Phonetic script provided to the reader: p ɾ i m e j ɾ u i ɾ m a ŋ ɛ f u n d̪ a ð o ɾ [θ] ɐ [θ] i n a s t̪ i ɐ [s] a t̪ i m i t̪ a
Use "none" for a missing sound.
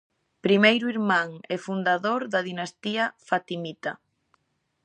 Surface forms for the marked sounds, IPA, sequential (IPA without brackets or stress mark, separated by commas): ð, ð, f